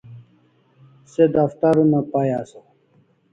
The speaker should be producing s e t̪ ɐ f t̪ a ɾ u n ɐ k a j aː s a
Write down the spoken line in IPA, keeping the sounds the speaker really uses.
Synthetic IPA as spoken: s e d̪ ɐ f t̪ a ɾ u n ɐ p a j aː s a